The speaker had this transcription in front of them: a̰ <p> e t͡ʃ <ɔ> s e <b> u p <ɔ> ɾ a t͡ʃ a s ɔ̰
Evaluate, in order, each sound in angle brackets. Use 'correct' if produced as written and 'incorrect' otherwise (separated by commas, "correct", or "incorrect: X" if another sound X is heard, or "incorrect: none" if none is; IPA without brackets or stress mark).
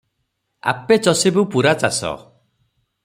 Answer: correct, correct, correct, incorrect: u